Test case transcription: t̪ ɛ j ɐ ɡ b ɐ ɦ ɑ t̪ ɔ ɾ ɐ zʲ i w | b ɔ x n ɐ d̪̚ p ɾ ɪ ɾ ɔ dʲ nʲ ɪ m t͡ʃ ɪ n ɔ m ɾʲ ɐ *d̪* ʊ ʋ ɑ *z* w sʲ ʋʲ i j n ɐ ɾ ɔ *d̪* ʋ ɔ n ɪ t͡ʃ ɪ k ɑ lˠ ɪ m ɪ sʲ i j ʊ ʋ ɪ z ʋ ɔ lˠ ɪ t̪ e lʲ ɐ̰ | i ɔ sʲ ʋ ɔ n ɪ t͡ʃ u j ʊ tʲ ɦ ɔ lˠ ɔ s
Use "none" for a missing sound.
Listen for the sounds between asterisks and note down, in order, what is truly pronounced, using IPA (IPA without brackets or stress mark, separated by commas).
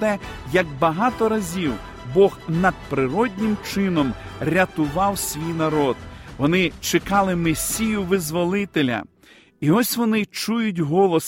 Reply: t̪, none, d̪